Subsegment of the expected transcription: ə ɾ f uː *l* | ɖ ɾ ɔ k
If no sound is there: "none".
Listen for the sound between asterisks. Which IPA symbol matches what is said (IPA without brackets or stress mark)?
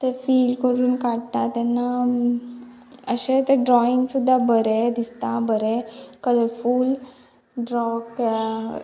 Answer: l